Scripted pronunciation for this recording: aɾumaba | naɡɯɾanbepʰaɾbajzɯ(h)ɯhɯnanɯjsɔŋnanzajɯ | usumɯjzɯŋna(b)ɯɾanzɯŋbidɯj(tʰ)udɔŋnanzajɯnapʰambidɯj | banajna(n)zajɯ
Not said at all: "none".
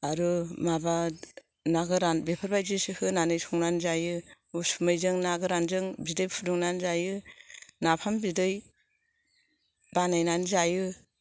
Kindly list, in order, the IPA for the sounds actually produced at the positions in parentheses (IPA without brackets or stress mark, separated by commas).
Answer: s, ɡ, pʰ, n